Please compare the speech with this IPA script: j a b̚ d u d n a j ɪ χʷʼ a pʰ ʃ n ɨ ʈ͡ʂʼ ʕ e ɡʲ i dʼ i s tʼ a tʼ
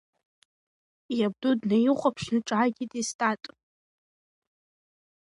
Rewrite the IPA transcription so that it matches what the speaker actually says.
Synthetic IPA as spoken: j a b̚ d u d n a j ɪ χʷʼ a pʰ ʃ n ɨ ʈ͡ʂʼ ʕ a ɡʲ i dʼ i s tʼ a tʼ